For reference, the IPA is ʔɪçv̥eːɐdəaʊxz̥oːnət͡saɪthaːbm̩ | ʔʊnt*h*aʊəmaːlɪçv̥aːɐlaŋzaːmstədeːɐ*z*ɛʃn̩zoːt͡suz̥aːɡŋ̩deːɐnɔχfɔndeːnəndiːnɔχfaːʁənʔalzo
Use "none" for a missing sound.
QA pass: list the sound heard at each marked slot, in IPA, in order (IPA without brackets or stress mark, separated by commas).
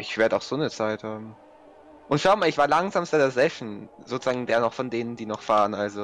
ʃ, z